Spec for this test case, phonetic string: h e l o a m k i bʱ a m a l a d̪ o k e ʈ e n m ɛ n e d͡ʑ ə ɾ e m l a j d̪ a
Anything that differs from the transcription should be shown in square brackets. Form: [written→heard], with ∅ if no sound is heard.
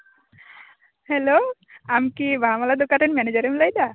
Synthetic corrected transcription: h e l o a m k i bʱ a m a l a d̪ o k [e→a] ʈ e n m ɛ n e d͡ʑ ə ɾ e m l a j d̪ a